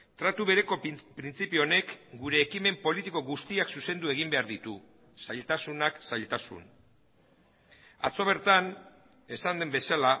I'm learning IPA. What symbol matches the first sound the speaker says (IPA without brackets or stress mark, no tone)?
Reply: t̪